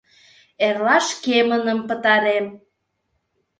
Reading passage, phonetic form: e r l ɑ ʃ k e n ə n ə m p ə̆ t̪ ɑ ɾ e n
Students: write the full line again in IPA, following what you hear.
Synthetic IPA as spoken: e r l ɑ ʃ k e m ə n ə m p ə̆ t̪ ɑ ɾ e m